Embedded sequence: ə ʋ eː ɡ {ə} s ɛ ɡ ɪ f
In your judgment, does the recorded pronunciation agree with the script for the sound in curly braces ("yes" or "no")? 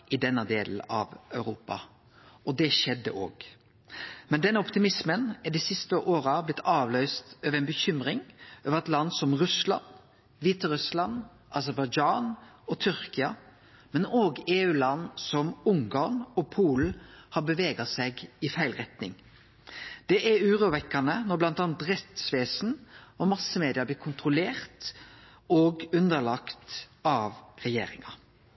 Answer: no